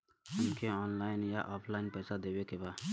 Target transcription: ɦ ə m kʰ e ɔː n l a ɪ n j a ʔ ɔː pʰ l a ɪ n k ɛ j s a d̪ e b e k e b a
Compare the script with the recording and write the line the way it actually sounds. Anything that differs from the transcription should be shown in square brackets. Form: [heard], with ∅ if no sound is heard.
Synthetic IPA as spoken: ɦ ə m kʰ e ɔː n l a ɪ n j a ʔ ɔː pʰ l a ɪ n [p] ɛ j s a d̪ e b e k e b a